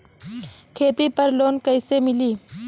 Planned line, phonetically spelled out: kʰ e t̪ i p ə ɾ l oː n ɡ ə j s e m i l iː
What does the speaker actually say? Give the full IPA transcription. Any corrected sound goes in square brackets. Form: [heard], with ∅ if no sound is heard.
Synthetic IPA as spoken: kʰ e t̪ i p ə ɾ l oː n [k] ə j s e m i l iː